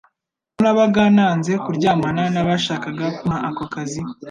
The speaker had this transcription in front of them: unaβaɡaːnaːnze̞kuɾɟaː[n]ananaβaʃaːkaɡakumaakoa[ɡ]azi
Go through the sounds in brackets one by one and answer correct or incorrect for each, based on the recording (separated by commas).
incorrect, incorrect